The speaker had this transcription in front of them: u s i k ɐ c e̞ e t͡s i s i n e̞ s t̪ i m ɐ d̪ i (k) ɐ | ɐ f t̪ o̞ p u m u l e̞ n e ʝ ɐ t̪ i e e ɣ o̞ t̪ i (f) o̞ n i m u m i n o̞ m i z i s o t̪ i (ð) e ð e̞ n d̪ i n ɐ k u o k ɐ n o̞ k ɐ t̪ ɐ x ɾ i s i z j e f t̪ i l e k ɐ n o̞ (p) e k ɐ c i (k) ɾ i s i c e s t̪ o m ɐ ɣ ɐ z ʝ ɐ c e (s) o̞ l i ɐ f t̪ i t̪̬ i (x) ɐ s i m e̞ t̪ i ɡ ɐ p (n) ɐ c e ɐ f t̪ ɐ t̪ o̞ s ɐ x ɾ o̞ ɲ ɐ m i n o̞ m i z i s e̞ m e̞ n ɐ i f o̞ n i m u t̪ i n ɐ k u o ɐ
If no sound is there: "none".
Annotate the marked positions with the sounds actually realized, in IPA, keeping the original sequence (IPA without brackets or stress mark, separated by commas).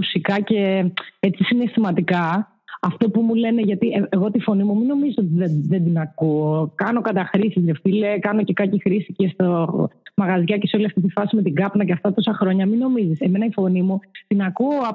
k, f, ð, c, x, s, f, n